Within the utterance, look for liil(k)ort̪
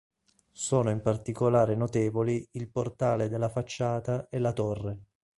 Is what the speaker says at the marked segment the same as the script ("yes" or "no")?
no